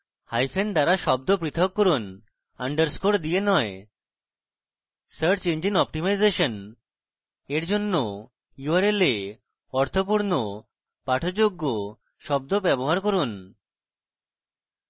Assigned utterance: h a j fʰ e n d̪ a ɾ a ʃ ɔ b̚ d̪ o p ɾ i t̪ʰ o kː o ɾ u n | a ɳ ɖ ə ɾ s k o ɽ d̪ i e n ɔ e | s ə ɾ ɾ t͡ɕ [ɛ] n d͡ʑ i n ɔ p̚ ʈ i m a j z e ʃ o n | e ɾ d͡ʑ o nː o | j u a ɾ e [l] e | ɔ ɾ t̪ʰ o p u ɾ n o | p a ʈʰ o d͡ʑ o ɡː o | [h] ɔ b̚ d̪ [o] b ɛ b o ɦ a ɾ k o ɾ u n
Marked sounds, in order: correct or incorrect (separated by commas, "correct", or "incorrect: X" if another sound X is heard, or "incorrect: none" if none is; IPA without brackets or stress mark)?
incorrect: e, correct, incorrect: ʃ, correct